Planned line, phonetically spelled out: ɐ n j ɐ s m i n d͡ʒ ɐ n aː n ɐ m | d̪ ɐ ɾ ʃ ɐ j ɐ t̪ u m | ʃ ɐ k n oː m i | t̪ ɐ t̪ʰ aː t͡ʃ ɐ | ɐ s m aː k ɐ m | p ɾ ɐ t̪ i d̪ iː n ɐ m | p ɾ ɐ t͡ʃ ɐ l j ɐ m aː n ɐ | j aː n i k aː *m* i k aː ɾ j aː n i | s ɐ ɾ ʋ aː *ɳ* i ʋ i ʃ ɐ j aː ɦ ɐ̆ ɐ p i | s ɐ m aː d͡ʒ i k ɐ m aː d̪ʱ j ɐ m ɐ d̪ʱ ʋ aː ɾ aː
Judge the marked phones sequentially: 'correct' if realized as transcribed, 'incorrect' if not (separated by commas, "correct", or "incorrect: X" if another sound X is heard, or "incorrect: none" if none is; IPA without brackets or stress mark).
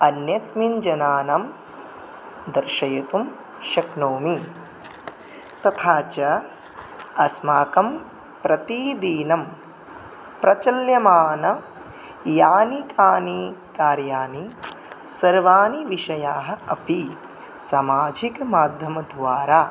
incorrect: n, incorrect: n